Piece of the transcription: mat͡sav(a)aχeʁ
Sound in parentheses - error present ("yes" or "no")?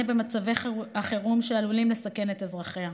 yes